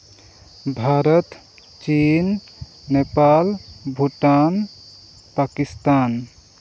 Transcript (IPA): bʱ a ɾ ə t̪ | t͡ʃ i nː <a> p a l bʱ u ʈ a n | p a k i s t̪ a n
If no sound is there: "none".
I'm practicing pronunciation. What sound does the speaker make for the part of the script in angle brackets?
e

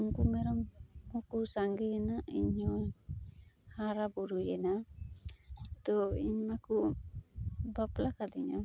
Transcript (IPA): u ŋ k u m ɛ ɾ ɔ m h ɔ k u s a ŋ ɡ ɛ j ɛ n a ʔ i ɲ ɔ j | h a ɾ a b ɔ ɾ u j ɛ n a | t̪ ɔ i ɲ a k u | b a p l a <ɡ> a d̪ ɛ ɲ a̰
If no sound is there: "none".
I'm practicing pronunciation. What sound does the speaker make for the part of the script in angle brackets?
k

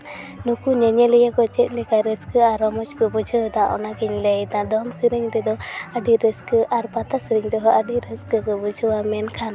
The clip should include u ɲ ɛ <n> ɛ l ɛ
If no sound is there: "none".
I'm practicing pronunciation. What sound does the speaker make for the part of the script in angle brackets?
ɲ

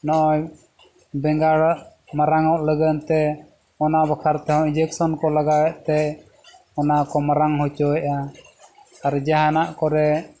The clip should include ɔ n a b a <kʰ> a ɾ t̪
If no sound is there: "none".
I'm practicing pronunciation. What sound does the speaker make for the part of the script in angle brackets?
kʰ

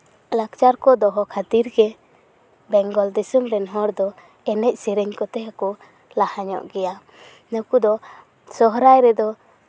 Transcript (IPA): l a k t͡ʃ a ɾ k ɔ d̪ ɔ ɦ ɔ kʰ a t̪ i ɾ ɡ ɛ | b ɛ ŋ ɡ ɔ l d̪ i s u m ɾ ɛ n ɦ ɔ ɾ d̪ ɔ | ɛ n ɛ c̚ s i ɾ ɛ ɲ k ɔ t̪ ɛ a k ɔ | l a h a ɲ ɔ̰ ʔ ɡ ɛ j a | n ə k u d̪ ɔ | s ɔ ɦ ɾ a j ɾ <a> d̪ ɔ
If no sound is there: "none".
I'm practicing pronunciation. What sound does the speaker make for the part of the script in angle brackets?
ɛ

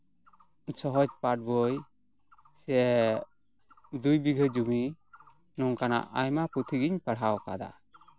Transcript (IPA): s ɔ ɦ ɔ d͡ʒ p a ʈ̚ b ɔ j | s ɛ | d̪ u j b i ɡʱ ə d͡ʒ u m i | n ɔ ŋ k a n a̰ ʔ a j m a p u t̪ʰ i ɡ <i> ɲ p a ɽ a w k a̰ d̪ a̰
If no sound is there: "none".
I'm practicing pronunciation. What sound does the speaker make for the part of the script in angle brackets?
i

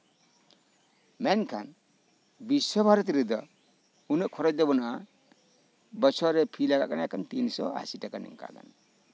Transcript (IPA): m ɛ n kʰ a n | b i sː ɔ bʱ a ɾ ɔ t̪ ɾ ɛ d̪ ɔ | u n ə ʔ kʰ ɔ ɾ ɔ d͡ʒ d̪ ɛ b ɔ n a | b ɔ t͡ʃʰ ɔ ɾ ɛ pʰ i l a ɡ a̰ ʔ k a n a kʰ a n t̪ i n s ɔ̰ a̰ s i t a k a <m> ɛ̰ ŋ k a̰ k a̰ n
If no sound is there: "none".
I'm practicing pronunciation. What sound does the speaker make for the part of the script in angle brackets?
n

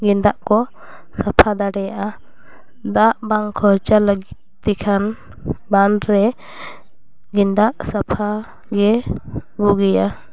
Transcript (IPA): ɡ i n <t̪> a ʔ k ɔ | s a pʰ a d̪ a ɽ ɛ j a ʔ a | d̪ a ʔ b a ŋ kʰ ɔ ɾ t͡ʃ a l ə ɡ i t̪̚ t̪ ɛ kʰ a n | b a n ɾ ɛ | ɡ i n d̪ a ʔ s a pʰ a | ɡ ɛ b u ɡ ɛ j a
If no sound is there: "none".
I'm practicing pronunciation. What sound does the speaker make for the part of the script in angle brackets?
d̪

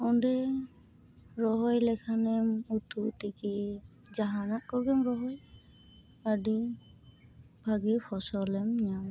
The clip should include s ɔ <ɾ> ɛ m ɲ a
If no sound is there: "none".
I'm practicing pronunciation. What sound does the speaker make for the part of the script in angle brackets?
l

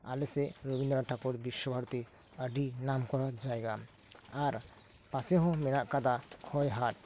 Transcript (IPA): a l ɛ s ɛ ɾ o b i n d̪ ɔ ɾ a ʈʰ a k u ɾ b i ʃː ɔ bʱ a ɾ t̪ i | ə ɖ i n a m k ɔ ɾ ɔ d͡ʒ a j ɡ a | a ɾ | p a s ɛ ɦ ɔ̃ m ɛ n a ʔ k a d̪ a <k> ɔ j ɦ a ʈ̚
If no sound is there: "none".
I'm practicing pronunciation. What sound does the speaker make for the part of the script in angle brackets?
kʰ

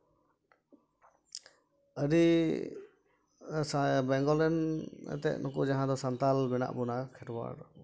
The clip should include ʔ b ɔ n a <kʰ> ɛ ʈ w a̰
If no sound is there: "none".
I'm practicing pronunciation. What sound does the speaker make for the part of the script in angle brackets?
kʰ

